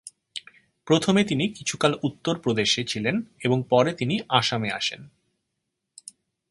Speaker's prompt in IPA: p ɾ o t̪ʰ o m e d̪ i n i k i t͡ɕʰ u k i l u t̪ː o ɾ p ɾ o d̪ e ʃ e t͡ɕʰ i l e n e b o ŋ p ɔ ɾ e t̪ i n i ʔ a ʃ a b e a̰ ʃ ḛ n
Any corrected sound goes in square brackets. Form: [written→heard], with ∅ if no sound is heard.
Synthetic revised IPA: p ɾ o t̪ʰ o m e [d̪→t̪] i n i k i t͡ɕʰ u k [i→a] l u t̪ː o ɾ p ɾ o d̪ e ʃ e t͡ɕʰ i l e n e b o ŋ p ɔ ɾ e t̪ i n i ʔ a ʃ a [b→m] e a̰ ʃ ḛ n